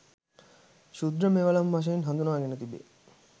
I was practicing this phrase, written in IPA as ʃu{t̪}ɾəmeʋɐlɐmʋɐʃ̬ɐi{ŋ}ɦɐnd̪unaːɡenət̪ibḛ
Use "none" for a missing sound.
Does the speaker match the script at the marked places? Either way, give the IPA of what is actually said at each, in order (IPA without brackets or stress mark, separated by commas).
d̪, n